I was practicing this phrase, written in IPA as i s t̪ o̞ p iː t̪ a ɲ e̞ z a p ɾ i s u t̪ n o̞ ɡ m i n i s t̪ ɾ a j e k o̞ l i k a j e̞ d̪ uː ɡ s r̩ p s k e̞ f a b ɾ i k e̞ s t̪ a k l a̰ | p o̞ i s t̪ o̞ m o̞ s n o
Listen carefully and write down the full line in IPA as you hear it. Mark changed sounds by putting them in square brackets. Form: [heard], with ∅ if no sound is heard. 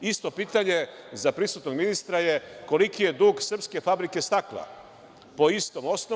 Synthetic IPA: i s t̪ o̞ p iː t̪ a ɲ e̞ z a p ɾ i s u t̪ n o̞ ɡ m i n i s t̪ ɾ a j e k o̞ l i k [i] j e̞ d̪ uː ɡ s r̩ p s k e̞ f a b ɾ i k e̞ s t̪ a k l a̰ | p o̞ i s t̪ o̞ m o̞ s n o